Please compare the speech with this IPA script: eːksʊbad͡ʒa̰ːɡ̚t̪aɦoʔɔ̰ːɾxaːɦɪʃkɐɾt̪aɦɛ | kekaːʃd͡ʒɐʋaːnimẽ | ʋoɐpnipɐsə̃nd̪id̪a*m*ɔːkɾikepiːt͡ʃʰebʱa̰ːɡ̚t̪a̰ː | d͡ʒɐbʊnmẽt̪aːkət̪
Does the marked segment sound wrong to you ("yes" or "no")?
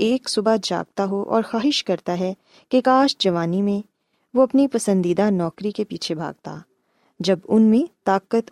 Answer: yes